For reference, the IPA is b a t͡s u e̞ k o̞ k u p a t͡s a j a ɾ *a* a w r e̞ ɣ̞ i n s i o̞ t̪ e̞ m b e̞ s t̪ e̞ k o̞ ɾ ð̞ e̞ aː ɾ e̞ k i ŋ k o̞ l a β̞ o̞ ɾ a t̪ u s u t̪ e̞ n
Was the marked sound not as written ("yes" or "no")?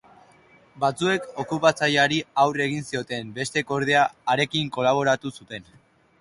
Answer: yes